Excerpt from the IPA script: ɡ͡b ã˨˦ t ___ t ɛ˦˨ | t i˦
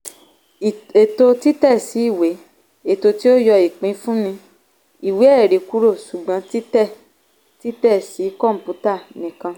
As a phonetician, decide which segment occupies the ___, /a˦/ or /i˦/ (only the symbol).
i˦